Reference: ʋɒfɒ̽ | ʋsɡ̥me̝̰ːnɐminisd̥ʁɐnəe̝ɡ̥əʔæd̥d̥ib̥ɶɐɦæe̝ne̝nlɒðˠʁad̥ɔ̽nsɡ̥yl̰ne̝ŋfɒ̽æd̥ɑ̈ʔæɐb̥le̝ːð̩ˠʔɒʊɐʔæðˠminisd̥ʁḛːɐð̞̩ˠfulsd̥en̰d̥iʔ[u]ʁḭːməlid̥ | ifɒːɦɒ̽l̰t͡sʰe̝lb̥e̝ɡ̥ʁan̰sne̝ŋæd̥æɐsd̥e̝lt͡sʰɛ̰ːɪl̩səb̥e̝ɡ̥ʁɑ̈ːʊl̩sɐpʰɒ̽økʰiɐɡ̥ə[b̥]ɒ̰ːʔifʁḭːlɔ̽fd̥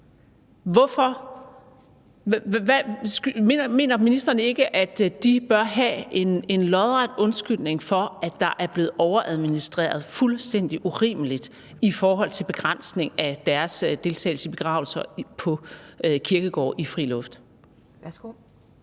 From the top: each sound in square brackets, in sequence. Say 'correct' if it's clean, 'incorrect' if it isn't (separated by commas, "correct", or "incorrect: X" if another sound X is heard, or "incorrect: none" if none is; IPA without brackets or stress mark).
correct, incorrect: ɡ̥